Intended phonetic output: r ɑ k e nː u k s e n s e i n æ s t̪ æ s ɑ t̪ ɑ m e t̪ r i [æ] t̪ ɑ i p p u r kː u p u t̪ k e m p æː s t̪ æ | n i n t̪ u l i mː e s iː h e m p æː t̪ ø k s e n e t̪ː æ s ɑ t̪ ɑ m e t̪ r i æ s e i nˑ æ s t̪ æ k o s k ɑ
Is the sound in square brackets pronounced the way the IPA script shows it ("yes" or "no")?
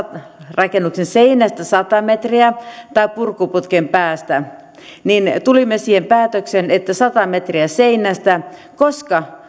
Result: yes